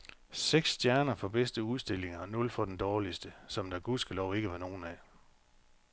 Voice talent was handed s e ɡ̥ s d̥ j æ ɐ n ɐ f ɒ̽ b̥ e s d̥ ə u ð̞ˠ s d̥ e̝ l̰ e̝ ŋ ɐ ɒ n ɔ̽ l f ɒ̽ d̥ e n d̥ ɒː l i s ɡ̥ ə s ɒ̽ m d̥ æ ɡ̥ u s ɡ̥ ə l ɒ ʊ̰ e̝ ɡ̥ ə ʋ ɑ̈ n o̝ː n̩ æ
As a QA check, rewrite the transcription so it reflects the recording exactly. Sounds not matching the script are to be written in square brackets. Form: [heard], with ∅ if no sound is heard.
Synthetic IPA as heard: s e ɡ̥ s d̥ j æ ɐ n ɐ f ɒ̽ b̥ e s d̥ ə u ð̞ˠ s d̥ e̝ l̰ e̝ ŋ ɐ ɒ n ɔ̽ l f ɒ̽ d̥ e n d̥ ɒː l i s [d̥] ə s ɒ̽ m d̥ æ ɡ̥ u s ɡ̥ ə l ɒ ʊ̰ e̝ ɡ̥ ə ʋ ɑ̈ n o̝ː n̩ æ

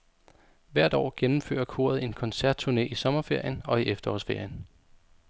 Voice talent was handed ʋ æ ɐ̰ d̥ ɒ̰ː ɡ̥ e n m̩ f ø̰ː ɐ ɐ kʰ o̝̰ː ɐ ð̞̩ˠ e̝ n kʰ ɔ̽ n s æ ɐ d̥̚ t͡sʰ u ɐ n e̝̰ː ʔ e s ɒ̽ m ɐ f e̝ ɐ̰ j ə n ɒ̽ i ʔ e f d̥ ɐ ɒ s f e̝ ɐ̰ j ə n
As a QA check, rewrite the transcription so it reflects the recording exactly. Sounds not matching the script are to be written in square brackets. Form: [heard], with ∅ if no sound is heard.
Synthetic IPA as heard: ʋ æ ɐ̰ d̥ ɒ̰ː ɡ̥ e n m̩ f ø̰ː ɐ ɐ kʰ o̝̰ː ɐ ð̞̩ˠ e̝ n kʰ [ɒ̽] n s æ ɐ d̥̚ t͡sʰ u ɐ n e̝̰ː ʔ [i] s ɒ̽ m ɐ f e̝ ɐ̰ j ə n ɒ̽ i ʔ e f d̥ ɐ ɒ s f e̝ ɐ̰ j ə n

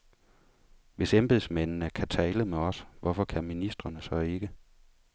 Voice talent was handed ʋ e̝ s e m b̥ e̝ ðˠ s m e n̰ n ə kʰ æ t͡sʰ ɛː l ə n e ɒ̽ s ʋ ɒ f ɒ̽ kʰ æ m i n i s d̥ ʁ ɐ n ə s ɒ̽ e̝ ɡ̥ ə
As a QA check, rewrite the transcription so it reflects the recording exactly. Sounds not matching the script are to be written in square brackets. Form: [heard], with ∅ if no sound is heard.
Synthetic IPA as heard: ʋ e̝ s e m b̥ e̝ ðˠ s m e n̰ n ə kʰ æ t͡sʰ ɛː l ə [m] e ɒ̽ s ʋ ɒ f ɒ̽ kʰ æ m i n i s d̥ ʁ ɐ n ə s ɒ̽ e̝ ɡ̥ ə

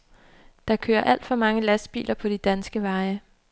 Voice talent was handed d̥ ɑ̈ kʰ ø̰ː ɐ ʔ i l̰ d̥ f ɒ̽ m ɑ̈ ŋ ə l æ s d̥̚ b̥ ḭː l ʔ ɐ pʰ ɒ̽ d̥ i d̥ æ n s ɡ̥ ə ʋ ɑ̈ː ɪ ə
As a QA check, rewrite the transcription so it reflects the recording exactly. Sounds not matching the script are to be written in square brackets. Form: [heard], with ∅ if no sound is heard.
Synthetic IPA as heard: d̥ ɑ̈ kʰ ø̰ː ɐ ʔ [æ] l̰ d̥ f ɒ̽ m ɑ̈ ŋ ə l æ s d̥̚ b̥ ḭː l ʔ ɐ pʰ ɒ̽ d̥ i d̥ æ n s ɡ̥ ə ʋ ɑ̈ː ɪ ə

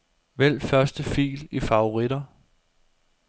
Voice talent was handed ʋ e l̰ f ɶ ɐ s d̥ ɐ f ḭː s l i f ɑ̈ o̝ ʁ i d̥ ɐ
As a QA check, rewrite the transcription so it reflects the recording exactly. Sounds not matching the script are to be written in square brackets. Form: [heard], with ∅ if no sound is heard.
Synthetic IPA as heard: ʋ e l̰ f ɶ ɐ s d̥ [ə] f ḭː [∅] l i f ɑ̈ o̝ ʁ i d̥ ɐ

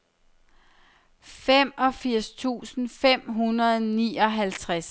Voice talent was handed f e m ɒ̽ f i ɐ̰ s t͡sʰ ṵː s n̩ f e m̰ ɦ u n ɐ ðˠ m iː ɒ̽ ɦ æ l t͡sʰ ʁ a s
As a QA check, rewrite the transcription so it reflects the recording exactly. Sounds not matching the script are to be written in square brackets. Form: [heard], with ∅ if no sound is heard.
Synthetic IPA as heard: f e m ɒ̽ f i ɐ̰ s t͡sʰ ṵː s n̩ f e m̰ ɦ u n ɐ ðˠ [n] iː ɒ̽ ɦ æ l t͡sʰ ʁ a s

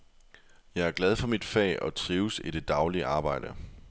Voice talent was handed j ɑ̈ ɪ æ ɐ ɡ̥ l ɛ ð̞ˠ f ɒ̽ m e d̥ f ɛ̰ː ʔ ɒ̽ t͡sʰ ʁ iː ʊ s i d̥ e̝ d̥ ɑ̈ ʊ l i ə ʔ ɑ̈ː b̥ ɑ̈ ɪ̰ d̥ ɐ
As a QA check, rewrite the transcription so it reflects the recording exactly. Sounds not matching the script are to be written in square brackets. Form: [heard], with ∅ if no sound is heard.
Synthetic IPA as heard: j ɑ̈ ɪ æ ɐ ɡ̥ l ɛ ð̞ˠ f ɒ̽ m [i] d̥ f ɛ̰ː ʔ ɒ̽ t͡sʰ ʁ iː ʊ s i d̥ e̝ d̥ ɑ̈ ʊ l i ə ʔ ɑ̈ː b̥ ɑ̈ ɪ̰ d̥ [ə]

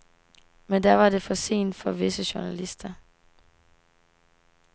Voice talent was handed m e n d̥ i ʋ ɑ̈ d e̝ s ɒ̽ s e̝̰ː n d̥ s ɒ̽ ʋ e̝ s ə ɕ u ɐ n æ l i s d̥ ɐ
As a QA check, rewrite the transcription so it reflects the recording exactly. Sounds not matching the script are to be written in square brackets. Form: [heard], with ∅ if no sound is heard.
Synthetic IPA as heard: m e n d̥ [æ] ʋ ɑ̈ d e̝ [f] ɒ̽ s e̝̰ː n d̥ [f] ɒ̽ ʋ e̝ s ə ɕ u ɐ n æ l i s d̥ ɐ

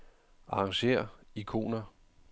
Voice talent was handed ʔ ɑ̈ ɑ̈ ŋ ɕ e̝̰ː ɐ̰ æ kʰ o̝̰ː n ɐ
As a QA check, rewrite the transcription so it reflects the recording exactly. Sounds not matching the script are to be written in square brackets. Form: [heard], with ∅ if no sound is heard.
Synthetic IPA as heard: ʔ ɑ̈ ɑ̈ ŋ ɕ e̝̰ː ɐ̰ [i] kʰ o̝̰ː n ɐ

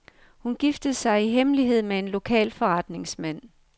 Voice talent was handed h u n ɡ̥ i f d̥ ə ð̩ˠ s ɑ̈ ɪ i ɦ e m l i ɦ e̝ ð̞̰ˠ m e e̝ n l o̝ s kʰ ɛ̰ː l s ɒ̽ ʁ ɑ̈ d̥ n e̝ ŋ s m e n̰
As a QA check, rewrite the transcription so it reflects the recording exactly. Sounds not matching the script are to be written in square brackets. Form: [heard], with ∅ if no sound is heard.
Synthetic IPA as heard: h u n ɡ̥ i f d̥ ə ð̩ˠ s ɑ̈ ɪ i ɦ e m l i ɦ e̝ ð̞̰ˠ m e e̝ n l o̝ [∅] kʰ ɛ̰ː l [f] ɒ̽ ʁ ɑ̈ d̥ n e̝ ŋ s m [æ] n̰

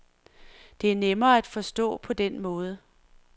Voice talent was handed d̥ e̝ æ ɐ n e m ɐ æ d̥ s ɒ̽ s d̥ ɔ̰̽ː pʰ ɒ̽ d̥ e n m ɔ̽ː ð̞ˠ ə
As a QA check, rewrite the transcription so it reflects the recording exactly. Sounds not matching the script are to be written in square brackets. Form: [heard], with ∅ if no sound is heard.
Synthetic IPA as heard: d̥ e̝ æ ɐ n e m [ɐː] æ d̥ [f] ɒ̽ s d̥ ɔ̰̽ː pʰ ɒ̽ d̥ e n m ɔ̽ː ð̞ˠ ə

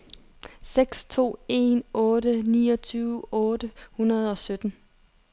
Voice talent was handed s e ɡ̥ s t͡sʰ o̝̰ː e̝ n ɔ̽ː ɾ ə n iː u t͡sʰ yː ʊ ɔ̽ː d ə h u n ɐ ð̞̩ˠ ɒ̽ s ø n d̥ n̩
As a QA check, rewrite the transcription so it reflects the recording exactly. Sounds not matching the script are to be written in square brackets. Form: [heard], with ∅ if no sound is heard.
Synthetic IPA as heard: s e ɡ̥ s t͡sʰ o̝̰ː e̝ n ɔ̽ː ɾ ə n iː [ɒ] t͡sʰ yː ʊ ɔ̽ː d ə h u n ɐ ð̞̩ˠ ɒ̽ s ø [∅] d̥ n̩

